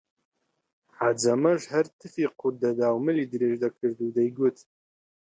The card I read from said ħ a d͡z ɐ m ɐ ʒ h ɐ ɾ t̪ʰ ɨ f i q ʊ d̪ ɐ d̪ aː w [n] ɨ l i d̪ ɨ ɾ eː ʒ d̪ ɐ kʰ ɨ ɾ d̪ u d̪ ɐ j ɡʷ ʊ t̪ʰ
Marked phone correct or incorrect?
incorrect